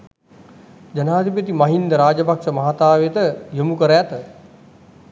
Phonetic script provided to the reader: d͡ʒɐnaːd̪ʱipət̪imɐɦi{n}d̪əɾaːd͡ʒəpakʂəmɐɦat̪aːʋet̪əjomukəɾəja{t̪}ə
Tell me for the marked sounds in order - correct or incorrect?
correct, correct

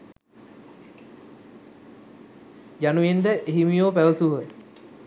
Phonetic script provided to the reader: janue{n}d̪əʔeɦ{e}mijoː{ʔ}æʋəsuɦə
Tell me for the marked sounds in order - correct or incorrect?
correct, incorrect: i, incorrect: p

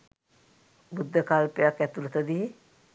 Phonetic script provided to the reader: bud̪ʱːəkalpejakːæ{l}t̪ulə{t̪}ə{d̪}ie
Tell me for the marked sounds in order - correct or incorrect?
incorrect: none, correct, correct

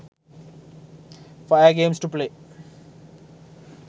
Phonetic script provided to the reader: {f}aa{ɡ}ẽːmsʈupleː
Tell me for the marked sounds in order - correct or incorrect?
correct, correct

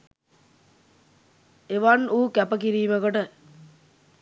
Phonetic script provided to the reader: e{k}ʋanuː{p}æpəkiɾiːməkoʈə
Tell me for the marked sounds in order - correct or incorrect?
incorrect: none, incorrect: k

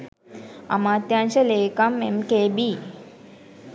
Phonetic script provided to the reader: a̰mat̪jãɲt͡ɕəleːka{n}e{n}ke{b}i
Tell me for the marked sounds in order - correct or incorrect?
incorrect: m, incorrect: m, correct

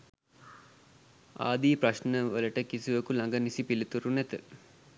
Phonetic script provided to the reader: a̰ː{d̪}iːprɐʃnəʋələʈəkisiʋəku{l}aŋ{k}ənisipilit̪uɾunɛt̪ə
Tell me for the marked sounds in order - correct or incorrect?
correct, correct, incorrect: ɡ

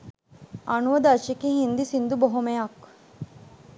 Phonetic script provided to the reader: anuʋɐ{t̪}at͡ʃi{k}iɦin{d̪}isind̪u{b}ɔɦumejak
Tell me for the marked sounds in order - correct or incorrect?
incorrect: d̪, correct, correct, correct

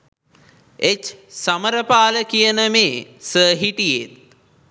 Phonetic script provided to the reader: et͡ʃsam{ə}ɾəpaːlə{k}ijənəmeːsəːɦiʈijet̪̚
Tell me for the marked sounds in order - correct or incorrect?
correct, correct

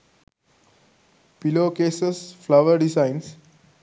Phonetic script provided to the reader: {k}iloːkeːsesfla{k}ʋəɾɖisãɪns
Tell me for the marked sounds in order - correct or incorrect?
incorrect: p, incorrect: none

